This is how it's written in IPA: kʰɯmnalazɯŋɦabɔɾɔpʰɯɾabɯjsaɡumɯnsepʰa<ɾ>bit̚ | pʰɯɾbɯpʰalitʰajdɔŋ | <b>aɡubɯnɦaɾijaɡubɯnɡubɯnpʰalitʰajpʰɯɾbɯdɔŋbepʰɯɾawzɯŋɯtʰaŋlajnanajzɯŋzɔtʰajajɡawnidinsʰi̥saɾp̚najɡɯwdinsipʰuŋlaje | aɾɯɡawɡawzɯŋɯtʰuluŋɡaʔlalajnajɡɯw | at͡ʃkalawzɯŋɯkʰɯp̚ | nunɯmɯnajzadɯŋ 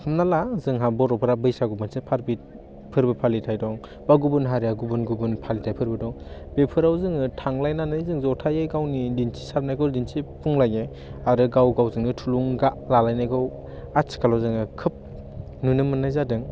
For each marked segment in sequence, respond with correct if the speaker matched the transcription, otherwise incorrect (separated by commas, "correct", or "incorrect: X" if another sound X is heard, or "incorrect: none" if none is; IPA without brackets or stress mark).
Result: correct, correct